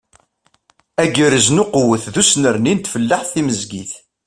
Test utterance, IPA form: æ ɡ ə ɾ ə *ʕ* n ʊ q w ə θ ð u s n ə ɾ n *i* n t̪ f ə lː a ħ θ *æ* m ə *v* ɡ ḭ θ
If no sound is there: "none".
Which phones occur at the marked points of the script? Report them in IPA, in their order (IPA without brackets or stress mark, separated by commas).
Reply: z, i, i, z